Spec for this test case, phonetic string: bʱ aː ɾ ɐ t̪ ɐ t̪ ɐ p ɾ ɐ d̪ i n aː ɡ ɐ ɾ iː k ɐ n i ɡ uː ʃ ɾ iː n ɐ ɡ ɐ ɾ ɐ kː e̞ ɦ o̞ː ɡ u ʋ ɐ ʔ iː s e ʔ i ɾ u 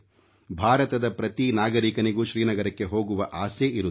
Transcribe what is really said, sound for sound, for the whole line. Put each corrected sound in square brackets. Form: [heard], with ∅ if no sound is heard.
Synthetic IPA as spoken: bʱ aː ɾ ɐ t̪ ɐ [d̪] ɐ p ɾ ɐ [t̪] i n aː ɡ ɐ ɾ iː k ɐ n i ɡ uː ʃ ɾ iː n ɐ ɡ ɐ ɾ ɐ kː e̞ ɦ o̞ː ɡ u ʋ ɐ ʔ [aː] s e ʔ i ɾ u